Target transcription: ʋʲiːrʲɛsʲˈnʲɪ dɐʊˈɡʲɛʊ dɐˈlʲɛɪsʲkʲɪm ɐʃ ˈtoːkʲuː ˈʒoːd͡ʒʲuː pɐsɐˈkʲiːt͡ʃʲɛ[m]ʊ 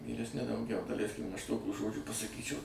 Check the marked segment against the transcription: incorrect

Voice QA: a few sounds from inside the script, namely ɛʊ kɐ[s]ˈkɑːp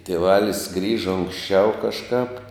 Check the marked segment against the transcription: incorrect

